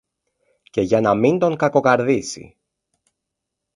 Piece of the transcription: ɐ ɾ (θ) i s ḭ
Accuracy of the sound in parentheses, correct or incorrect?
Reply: incorrect